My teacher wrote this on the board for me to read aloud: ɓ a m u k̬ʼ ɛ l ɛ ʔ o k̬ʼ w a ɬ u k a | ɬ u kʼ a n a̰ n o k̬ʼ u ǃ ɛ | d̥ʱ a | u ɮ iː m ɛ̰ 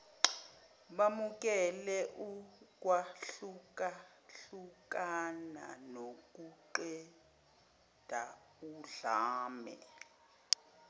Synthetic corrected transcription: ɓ a m u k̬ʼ ɛ l ɛ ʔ u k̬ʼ w a ɬ u k a | ɬ u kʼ a n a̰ n o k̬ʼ u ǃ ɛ | d̥ʱ a | u ɮ aː m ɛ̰